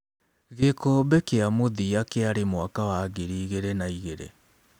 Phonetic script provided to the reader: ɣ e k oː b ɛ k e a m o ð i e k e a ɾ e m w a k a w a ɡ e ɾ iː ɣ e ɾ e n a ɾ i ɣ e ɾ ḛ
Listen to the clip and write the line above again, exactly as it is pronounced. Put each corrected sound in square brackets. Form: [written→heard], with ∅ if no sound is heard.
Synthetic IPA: ɣ e k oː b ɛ k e a m o ð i [e→a] k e a ɾ e m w a k a w a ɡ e ɾ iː ɣ e ɾ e n a [ɾ→∅] i ɣ e ɾ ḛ